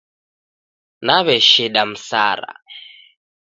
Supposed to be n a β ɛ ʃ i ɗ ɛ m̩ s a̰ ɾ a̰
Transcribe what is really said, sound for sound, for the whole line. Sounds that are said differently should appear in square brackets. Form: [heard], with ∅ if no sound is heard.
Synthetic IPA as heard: n a β ɛ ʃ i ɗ [a] m̩ s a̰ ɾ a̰